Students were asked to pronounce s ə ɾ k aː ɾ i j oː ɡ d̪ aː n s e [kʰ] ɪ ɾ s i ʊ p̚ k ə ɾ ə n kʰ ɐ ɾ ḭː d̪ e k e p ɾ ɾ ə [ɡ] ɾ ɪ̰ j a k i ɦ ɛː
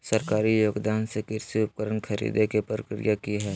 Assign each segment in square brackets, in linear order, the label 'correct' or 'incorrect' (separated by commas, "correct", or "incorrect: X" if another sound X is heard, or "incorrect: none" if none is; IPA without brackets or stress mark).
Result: incorrect: k, incorrect: k